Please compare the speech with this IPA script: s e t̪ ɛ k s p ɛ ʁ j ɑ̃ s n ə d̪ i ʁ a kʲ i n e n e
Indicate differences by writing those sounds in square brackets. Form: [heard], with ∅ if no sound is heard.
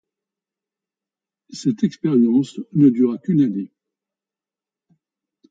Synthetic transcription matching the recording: s [ɛ] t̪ ɛ k s p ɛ ʁ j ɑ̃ s n ə d̪ [y] ʁ a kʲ [y] n [a] n e